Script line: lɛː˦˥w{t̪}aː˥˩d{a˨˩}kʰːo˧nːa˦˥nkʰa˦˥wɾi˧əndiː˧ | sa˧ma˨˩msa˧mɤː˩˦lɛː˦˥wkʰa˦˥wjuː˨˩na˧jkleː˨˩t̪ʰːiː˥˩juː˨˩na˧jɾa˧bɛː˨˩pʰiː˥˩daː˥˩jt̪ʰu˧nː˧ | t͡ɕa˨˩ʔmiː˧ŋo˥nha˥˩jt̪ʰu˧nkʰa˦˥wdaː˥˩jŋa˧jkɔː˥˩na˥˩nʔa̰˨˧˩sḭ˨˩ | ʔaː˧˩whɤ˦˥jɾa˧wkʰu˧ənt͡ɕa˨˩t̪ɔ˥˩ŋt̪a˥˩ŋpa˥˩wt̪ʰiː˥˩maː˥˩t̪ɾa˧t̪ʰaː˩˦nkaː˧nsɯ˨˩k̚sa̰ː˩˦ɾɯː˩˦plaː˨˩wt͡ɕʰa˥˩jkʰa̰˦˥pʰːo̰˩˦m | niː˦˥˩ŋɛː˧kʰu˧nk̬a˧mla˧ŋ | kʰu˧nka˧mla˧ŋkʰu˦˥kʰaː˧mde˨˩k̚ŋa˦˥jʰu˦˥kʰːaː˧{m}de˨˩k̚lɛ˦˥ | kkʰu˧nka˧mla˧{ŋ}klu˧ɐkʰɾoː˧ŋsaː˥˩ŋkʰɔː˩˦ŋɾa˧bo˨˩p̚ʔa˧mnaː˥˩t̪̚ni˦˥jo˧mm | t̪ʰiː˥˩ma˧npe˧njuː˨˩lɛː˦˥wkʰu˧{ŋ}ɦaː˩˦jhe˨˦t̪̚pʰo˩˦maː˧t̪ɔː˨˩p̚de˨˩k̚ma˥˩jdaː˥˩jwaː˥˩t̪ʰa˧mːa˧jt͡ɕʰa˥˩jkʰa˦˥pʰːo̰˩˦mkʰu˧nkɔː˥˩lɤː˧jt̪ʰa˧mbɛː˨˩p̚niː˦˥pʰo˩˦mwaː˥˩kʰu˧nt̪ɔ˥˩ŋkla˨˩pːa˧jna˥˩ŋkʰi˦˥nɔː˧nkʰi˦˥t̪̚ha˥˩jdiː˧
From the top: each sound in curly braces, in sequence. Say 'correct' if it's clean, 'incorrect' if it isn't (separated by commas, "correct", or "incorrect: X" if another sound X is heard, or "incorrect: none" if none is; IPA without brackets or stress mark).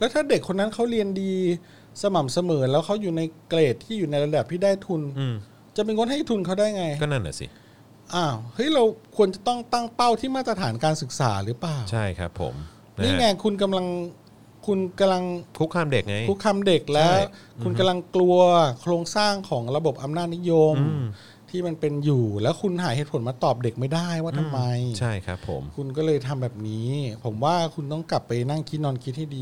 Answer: incorrect: t̪ʰ, incorrect: e˨˩, correct, correct, incorrect: n